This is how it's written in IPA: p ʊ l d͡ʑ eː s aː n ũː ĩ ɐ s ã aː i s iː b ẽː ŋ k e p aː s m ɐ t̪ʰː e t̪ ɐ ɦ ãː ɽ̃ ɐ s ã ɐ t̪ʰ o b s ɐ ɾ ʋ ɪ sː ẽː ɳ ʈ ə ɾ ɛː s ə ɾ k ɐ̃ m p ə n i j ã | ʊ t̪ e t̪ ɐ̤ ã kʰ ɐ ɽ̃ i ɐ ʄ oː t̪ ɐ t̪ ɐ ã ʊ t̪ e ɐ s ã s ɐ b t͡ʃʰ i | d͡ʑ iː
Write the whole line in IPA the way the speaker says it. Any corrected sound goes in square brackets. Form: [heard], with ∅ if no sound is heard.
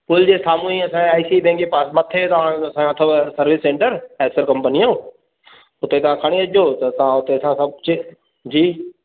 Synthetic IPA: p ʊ l d͡ʑ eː s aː [m] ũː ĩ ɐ s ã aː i s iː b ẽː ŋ k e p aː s m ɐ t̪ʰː e t̪ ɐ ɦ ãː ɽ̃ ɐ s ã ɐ t̪ʰ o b s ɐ ɾ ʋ ɪ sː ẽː ɳ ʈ ə ɾ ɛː s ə ɾ k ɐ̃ m p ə n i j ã | ʊ t̪ e t̪ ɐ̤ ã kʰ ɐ ɽ̃ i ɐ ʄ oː t̪ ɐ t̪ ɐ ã ʊ t̪ e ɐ s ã s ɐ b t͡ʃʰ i | d͡ʑ iː